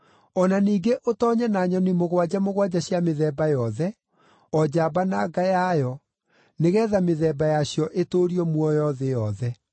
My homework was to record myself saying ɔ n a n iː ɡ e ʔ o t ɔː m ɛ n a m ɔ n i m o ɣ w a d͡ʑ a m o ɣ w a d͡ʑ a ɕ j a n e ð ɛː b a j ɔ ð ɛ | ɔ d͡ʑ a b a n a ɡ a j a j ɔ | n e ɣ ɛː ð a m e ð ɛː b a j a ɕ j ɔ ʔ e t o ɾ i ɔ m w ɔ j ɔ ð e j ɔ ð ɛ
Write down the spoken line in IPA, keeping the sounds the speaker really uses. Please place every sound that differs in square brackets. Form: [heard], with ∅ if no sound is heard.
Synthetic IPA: ɔ n a n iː ɡ e ʔ o t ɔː [ɲ] ɛ n a [ɲ] ɔ n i m o ɣ w a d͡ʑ a m o ɣ w a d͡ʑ a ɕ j a [m] e ð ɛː b a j ɔ ð ɛ | ɔ d͡ʑ a b a n a ɡ a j a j ɔ | n e ɣ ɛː ð a m e ð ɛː b a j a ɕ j ɔ ʔ e t o ɾ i ɔ m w ɔ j ɔ ð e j ɔ ð ɛ

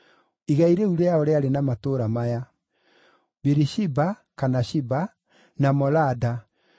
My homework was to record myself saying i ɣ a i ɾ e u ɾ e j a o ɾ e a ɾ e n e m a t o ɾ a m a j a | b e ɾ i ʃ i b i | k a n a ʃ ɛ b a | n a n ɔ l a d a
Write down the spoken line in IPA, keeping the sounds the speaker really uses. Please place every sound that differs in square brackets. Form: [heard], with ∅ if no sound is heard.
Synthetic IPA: i ɣ a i ɾ e u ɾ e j a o ɾ e a ɾ e n [a] m a t o ɾ a m a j a | b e ɾ i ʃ i b [a] | k a n a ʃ [i] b a | n a [m] ɔ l a d a

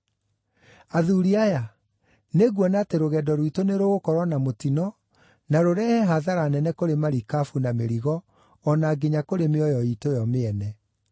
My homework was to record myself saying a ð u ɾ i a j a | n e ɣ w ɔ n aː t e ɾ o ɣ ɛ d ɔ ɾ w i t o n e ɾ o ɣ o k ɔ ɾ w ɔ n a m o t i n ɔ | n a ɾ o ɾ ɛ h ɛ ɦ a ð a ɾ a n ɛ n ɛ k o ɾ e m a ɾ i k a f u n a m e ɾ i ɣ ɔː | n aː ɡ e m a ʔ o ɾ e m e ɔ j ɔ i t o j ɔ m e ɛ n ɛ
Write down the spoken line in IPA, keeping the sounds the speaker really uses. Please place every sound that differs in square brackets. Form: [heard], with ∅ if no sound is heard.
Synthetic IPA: a ð u ɾ i a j a | n e ɣ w ɔ n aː t e ɾ o ɣ ɛ d ɔ ɾ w i t o n e ɾ o ɣ o k ɔ ɾ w ɔ n a m o t i n ɔ | n a ɾ o ɾ ɛ h ɛ ɦ a ð a ɾ a n ɛ n ɛ k o ɾ e m a ɾ i k a f u n a m e ɾ i ɣ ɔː | n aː ɡ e [ɲ] a [k] o ɾ e m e ɔ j ɔ i t o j ɔ m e ɛ n ɛ

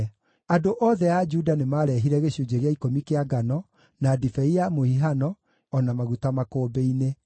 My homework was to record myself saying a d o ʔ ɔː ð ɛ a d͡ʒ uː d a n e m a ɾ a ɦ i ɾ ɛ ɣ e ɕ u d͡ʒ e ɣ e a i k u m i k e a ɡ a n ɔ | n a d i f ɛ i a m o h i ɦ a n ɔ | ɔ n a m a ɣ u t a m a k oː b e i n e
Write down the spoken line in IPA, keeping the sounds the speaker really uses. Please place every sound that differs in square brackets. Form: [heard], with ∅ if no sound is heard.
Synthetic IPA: a d o ʔ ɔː ð ɛ a d͡ʒ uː d a n e m a ɾ [ɛ] ɦ i ɾ ɛ ɣ e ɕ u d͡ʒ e ɣ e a i k [o] m i k e a ɡ a n ɔ | n a d i f ɛ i a m o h i ɦ a n ɔ | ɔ n a m a ɣ u t a m a k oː b e i n e

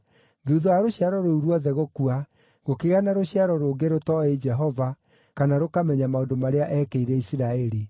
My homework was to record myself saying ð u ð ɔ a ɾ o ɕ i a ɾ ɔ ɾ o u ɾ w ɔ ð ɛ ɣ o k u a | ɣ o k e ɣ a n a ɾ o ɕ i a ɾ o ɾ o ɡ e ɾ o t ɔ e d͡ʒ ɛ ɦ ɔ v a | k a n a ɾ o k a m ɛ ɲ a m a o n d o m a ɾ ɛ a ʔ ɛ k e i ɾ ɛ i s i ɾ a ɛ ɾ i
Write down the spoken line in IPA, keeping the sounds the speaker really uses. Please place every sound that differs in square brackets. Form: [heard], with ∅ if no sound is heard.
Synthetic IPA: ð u ð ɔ a ɾ o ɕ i a ɾ ɔ ɾ o u ɾ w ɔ ð ɛ ɣ o k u a | ɣ o k e ɣ a n a ɾ o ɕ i a ɾ [ɔ] ɾ o ɡ e ɾ o t ɔ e d͡ʒ ɛ ɦ ɔ v a | k a n a ɾ o k a m ɛ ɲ a m a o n d o m a ɾ [e] a ʔ ɛ k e i ɾ ɛ i s i ɾ a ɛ ɾ i

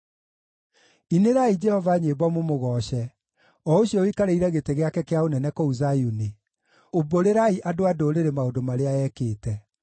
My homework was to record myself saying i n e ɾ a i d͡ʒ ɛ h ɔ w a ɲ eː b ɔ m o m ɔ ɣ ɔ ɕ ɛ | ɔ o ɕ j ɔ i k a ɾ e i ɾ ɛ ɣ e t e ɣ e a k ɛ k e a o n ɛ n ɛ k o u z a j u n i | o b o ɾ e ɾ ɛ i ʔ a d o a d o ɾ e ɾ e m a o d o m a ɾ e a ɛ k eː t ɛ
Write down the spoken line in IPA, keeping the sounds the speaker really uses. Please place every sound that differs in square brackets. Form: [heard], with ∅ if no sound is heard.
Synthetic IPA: i n e ɾ a i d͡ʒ ɛ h ɔ [v] a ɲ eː b ɔ m o m [o] ɣ ɔ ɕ ɛ | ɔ o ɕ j ɔ i k a ɾ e i ɾ ɛ ɣ e t e ɣ e a k ɛ k e a o n ɛ n ɛ k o u z a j u n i | o b o ɾ e ɾ [a] i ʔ a d o a d o ɾ e ɾ e m a o d o m a ɾ e a ɛ k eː t ɛ

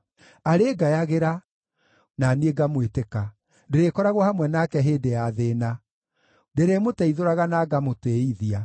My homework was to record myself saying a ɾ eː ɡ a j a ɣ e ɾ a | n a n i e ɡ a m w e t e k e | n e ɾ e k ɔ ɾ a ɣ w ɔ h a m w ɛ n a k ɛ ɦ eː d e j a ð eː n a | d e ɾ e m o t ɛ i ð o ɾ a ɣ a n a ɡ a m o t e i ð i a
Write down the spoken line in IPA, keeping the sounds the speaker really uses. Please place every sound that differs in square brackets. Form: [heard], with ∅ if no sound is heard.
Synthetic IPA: a ɾ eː ɡ a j a ɣ e ɾ a | n a n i e ɡ a m w e t e k [a] | [d] e ɾ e k ɔ ɾ a ɣ w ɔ h a m w ɛ n a k ɛ ɦ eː d e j a ð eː n a | d e ɾ e m o t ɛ i ð o ɾ a ɣ a n a ɡ a m o t e i ð i a

